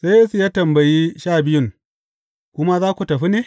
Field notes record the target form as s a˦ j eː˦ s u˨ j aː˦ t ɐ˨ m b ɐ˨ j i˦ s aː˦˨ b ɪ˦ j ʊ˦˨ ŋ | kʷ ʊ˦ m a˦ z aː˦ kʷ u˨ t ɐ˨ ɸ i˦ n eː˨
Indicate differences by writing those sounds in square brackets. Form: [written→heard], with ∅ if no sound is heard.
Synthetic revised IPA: s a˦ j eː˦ s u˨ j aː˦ t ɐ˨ m b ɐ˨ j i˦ [s→ʃ] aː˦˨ b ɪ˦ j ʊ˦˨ ŋ | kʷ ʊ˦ m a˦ z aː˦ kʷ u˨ t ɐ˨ ɸ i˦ n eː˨